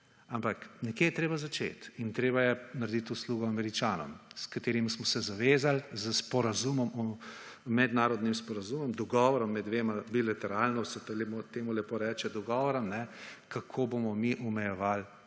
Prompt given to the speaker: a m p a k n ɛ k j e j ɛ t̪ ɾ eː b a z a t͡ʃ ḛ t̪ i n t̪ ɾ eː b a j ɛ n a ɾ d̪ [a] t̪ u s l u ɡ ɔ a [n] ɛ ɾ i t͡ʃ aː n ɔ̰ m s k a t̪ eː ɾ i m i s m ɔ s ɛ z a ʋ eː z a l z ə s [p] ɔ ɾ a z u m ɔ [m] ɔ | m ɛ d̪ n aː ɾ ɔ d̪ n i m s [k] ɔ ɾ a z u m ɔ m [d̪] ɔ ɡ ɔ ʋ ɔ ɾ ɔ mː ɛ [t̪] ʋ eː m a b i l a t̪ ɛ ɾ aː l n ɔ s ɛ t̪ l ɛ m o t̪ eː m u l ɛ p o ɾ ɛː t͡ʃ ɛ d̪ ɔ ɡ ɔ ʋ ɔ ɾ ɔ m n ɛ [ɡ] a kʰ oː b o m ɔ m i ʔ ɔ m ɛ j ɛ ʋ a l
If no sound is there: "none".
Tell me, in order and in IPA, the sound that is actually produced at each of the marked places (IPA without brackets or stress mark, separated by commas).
i, m, p, m, p, d̪, d̪, k